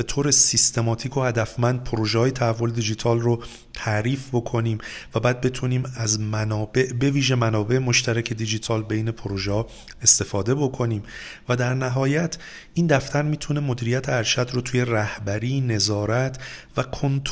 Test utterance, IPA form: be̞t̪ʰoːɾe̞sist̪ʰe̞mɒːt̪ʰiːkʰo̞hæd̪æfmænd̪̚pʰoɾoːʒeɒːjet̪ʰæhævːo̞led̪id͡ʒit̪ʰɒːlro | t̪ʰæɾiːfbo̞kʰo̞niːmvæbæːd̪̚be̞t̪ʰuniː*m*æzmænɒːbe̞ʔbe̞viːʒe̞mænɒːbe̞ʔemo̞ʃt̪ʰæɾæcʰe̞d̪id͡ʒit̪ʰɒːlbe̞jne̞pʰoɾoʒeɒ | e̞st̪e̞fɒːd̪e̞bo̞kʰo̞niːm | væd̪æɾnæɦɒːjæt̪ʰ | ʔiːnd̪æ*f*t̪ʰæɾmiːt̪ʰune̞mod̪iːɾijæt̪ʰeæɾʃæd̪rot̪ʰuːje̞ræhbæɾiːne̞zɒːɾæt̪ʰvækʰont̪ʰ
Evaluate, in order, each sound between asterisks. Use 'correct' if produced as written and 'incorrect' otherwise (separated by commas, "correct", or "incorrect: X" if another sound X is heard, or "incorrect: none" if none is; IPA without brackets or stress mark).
correct, correct